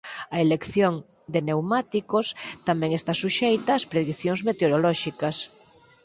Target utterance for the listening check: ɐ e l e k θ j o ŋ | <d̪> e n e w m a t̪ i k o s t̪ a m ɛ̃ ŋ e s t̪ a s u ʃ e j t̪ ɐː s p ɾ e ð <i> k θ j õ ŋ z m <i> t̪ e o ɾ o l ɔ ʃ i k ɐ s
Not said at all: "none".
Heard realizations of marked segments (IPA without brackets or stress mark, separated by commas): d̪, i, e